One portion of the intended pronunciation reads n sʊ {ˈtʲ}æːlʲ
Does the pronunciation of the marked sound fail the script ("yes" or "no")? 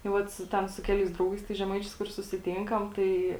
yes